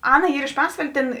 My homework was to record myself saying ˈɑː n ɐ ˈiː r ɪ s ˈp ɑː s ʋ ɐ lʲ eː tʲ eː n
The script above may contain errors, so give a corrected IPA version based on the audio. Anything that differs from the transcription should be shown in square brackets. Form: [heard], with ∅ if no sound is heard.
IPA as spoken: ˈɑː n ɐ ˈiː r ɪ [ʃ] ˈp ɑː s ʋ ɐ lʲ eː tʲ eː n